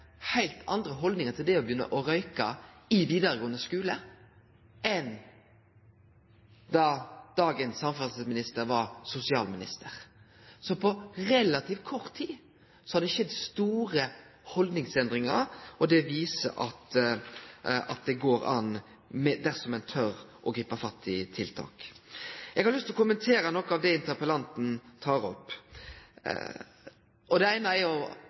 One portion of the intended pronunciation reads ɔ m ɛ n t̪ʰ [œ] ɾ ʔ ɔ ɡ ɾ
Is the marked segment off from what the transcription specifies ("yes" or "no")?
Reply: no